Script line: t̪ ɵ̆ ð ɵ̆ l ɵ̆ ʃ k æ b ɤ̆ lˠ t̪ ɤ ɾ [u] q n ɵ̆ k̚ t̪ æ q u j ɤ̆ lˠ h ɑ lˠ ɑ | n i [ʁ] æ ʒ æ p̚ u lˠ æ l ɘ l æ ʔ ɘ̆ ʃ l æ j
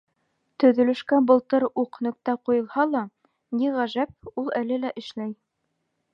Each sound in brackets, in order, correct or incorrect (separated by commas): correct, correct